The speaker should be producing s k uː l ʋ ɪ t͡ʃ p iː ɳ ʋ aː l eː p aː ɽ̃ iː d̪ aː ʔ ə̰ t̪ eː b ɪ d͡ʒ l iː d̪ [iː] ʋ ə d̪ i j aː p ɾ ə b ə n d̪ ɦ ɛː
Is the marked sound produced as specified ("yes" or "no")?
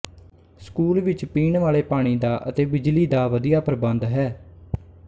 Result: no